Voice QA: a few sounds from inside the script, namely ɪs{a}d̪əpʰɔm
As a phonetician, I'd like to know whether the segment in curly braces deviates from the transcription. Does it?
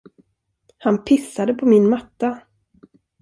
no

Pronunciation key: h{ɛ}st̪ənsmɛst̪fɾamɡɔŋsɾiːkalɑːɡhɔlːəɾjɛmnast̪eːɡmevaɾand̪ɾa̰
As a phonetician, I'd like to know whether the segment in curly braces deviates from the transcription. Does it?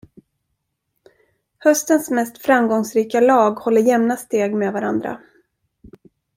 yes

